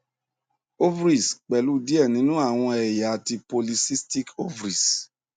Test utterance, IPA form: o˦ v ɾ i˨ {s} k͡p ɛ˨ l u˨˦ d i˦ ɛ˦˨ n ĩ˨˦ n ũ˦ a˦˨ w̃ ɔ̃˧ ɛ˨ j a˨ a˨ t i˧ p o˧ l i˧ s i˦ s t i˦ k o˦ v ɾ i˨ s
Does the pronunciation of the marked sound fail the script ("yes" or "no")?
no